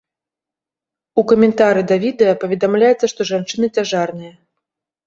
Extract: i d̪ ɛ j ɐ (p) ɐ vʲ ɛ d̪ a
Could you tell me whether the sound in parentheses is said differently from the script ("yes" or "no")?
no